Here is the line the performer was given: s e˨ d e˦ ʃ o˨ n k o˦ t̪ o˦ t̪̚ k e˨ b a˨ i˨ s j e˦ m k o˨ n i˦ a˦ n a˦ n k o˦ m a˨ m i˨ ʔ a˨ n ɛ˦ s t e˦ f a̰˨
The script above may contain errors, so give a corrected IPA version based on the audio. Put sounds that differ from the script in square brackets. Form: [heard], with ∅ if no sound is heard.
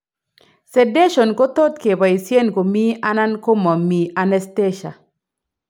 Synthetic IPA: s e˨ d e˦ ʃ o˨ n k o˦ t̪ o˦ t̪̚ k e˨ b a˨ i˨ s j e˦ [n] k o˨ [m] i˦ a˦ n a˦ n k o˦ m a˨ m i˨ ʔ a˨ n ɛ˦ s t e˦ [ʃ] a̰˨